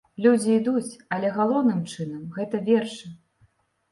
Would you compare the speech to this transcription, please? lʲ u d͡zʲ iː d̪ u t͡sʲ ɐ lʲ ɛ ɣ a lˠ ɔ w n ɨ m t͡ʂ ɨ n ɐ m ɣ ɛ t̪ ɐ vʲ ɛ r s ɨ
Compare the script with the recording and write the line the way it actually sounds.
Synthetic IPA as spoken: lʲ u d͡zʲ iː d̪ u t͡sʲ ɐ lʲ ɛ ɣ a lˠ ɔ w n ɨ m t͡ʂ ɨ n ɐ m ɣ ɛ t̪ ɐ vʲ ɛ r ʂ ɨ